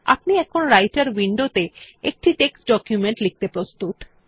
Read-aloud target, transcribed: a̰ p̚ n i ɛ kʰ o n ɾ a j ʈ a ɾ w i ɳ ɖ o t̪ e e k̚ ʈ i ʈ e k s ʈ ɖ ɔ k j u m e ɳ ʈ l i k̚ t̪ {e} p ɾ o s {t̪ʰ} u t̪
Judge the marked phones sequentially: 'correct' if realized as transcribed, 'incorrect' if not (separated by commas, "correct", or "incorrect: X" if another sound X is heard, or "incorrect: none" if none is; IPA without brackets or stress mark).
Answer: correct, incorrect: t̪